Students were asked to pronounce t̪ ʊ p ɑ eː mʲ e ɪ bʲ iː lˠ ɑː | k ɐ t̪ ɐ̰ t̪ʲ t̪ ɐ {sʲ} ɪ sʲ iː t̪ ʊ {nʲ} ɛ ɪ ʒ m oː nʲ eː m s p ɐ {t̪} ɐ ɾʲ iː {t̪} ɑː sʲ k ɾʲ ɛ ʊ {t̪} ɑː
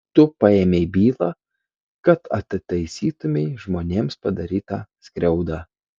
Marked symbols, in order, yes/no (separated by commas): no, no, no, yes, no